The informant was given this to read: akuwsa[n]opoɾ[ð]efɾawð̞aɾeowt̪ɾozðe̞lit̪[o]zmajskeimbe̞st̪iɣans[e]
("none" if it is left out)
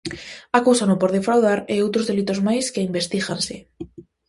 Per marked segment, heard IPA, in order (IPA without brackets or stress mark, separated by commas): n, ð, o, e